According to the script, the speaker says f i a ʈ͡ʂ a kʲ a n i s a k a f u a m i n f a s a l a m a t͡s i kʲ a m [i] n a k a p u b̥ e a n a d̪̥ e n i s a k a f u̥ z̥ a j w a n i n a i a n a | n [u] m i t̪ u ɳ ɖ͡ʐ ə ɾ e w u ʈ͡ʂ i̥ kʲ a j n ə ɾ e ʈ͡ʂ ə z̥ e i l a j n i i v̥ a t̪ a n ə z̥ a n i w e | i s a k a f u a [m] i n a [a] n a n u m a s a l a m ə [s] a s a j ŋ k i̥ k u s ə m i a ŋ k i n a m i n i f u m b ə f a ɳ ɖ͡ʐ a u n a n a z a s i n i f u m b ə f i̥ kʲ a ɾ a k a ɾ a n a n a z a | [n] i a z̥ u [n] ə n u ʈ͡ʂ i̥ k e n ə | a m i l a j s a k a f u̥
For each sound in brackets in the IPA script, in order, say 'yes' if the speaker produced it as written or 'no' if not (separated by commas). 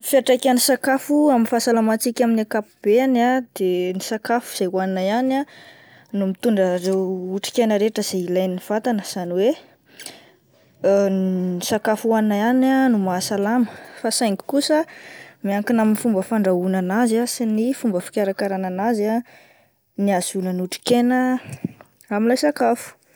yes, yes, no, yes, no, yes, yes